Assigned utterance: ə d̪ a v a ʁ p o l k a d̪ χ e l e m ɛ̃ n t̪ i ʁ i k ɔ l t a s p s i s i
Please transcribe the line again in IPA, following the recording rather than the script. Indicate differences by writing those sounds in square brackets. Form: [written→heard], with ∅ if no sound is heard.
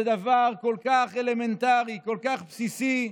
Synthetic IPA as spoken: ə d̪ a v a ʁ [p→k] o l k a [d̪→∅] χ e l e m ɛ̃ n t̪ [i→a] ʁ i k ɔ l [t→k] a [s→χ] p s i s i